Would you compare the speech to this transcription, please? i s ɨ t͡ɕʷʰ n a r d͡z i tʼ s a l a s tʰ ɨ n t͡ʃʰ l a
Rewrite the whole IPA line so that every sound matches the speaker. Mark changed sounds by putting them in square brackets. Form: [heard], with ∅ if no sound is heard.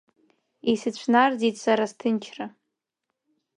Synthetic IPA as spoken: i s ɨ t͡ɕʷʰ n a r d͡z i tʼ s a [ɾ] a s tʰ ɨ n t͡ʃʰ [r] a